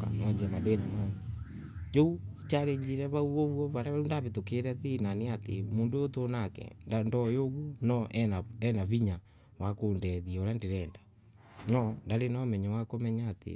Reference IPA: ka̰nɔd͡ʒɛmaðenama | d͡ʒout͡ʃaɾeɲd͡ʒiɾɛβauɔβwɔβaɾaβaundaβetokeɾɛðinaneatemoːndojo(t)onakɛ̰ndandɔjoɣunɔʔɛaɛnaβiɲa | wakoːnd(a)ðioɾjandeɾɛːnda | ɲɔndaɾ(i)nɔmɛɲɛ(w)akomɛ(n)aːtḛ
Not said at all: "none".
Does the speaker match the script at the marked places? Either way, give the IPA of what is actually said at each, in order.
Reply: t, ɛ, e, w, ɲ

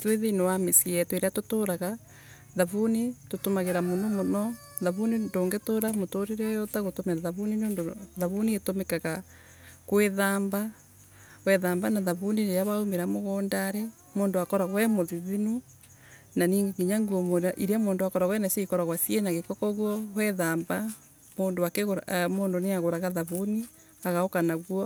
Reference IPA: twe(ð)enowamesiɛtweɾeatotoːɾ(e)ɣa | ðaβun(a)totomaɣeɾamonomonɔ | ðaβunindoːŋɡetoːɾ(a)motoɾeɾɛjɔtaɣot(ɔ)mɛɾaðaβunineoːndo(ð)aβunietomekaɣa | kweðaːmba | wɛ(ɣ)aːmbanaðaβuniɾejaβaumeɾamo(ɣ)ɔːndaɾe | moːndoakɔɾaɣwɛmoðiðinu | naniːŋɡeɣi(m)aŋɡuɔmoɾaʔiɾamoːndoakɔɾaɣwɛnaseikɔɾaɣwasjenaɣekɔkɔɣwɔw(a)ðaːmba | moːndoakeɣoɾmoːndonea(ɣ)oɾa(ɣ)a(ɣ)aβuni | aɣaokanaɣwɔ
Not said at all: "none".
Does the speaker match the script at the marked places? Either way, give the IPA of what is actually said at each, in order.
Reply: ð, a, i, a, o, ð, ð, ɣ, ɲ, ɛ, ɣ, ɣ, ð

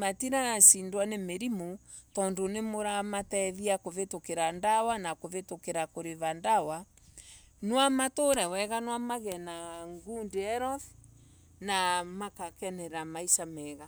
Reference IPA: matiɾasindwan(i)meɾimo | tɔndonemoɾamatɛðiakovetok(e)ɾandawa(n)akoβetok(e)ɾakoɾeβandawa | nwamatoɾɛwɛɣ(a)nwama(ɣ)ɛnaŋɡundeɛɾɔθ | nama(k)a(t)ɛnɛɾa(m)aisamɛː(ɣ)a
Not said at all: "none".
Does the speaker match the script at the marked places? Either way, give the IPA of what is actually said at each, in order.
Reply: e, e, n, e, a, ɣ, k, k, m, ɣ

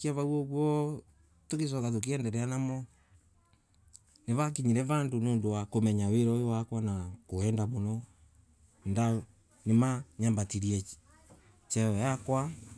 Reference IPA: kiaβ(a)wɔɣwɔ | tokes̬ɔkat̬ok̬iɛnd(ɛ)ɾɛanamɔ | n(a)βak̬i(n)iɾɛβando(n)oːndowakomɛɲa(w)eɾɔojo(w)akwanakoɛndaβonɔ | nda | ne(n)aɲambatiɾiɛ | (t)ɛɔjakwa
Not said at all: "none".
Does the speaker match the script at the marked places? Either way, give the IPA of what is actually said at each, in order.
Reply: a, ɛ, e, ɲ, n, w, w, m, t͡ʃ

